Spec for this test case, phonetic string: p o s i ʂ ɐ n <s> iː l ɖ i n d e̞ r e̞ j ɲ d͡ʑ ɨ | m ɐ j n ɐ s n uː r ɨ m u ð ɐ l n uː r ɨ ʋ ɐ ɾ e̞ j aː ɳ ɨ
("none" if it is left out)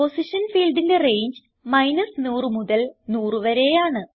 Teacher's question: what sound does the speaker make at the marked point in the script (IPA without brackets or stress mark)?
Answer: f